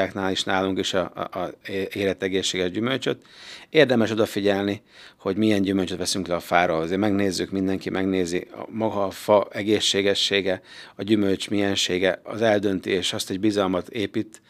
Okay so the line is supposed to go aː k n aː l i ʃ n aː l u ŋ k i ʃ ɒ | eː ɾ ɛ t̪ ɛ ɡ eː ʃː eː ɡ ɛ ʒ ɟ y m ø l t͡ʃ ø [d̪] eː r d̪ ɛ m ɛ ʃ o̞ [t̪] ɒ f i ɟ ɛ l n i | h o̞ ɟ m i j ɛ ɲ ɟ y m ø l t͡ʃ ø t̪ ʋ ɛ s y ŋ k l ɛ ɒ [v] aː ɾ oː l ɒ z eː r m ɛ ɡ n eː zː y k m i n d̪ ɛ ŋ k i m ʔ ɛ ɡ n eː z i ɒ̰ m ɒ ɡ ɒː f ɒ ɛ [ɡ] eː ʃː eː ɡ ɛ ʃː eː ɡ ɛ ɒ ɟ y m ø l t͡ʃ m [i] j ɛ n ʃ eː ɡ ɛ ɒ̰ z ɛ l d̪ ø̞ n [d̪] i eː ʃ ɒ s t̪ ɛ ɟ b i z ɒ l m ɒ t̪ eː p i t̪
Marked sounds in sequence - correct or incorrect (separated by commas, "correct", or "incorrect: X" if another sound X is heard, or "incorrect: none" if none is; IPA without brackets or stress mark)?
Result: incorrect: t̪, incorrect: d̪, incorrect: f, correct, correct, incorrect: t̪